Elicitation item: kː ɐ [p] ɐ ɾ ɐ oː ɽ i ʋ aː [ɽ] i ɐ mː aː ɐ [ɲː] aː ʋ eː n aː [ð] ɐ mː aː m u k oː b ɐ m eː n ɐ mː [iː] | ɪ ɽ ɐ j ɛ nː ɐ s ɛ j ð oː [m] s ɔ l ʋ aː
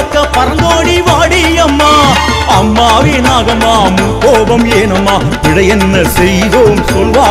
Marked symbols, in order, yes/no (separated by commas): yes, yes, no, no, no, yes